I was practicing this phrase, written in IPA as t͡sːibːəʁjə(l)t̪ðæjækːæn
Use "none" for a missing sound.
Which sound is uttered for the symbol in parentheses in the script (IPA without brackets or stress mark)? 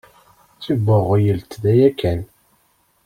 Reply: l